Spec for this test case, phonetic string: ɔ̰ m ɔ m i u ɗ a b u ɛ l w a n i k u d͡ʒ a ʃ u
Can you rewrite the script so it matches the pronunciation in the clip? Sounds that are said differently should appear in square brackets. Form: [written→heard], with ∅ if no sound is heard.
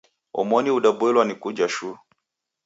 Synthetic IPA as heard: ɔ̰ m ɔ [m→n] i u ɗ a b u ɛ l w a n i k u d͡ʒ a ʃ u